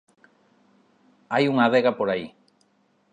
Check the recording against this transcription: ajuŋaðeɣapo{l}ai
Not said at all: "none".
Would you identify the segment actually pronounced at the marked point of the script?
ɾ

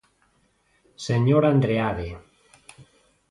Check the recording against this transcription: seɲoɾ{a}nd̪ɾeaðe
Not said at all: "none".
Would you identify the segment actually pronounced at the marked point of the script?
a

